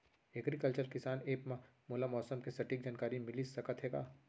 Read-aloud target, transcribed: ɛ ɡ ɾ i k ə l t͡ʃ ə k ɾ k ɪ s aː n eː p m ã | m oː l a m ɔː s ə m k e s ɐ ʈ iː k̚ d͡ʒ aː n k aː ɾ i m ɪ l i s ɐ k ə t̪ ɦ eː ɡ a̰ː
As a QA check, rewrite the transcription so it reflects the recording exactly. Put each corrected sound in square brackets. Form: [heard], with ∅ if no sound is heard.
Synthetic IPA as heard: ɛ ɡ ɾ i k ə l t͡ʃ ə [∅] ɾ k ɪ s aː n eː p m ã | m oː l a m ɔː s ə m k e s ɐ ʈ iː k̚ d͡ʒ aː n k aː ɾ i m ɪ l i s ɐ k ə t̪ ɦ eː ɡ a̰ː